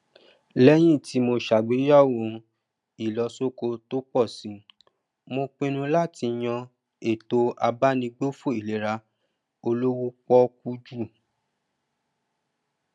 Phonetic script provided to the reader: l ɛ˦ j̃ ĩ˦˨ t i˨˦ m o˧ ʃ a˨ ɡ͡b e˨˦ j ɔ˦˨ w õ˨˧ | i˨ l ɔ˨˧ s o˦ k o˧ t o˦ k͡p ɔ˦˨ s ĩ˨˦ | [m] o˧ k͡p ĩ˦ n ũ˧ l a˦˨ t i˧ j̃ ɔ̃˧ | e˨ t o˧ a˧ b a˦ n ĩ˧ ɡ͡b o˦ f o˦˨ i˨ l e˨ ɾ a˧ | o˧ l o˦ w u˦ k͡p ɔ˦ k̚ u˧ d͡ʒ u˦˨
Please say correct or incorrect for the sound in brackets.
correct